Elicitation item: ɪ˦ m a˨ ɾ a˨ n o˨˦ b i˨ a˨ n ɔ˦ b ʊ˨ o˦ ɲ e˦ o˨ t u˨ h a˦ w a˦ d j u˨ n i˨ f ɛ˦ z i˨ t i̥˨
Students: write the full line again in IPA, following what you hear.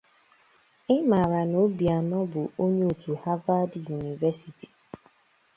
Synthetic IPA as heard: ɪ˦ m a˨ ɾ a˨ n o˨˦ b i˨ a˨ n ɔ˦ b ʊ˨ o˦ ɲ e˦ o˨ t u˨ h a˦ v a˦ d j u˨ n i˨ v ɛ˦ s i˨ t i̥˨